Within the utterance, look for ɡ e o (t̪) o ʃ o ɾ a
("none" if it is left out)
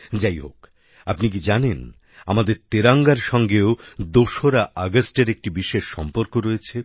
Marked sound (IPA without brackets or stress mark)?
d̪